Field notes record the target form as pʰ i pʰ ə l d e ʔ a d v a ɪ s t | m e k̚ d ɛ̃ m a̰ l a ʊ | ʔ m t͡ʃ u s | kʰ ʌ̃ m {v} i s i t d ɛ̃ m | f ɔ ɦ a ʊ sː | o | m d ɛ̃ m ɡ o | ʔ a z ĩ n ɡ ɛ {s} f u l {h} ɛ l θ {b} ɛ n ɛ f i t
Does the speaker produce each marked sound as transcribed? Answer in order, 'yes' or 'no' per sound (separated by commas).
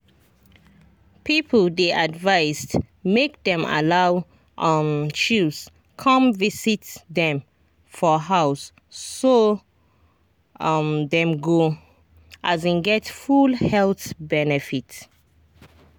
yes, no, yes, yes